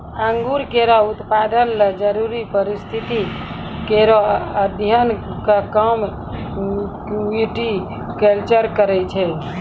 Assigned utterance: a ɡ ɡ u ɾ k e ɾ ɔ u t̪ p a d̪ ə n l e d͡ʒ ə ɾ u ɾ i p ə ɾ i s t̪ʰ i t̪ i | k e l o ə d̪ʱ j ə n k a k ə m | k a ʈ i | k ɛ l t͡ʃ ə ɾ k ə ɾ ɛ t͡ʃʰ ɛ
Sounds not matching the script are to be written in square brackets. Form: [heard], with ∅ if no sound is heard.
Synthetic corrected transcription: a [ŋ] ɡ u ɾ k e ɾ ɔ u t̪ p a d̪ ə n l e d͡ʒ ə ɾ u ɾ i p ə ɾ i s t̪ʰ i t̪ i | k e [ɾ] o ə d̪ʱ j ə n k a k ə m | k [i] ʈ i | k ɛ l t͡ʃ ə ɾ k ə ɾ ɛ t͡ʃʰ ɛ